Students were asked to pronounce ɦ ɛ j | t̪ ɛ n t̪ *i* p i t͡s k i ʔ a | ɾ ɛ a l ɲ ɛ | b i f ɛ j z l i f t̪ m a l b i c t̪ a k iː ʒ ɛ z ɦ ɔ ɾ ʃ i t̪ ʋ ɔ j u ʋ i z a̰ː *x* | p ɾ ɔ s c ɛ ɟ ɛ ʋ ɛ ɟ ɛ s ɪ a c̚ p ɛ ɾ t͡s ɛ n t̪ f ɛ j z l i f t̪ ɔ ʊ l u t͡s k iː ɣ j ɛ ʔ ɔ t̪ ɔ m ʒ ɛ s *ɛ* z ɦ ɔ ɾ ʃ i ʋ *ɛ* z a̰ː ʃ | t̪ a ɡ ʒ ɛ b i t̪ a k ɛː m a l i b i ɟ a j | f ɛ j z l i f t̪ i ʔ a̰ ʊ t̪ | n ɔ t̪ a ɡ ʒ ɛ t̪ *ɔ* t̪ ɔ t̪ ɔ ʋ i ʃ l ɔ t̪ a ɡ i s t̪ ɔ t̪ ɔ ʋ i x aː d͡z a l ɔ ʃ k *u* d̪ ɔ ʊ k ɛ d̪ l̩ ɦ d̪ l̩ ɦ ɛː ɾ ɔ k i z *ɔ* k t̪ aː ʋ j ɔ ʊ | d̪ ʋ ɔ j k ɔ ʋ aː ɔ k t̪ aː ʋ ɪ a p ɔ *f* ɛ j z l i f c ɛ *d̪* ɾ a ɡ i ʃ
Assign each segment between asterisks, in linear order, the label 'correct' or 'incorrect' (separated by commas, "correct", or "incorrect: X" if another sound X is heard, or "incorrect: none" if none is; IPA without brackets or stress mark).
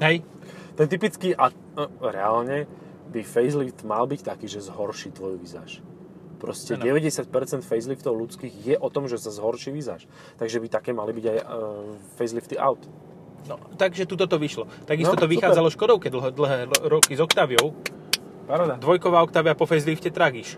correct, incorrect: ʃ, incorrect: a, incorrect: i, incorrect: u, incorrect: ɔ, correct, correct, incorrect: t̪